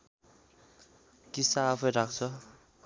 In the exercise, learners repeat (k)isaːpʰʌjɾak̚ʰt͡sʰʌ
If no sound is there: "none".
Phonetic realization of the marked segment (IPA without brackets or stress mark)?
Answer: k